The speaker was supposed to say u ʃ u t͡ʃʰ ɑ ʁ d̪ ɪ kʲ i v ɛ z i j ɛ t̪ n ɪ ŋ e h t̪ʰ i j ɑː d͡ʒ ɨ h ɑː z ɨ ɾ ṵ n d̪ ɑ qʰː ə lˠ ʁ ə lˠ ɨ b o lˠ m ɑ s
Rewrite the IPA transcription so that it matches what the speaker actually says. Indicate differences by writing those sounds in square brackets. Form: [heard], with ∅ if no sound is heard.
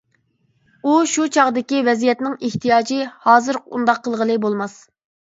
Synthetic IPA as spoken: u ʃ u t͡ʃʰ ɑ ʁ d̪ ɪ kʲ i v ɛ z i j ɛ t̪ n ɪ ŋ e h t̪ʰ i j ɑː d͡ʒ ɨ h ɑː z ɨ ɾ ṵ n d̪ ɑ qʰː ə lˠ ʁ ə lˠ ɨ b o lˠ m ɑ s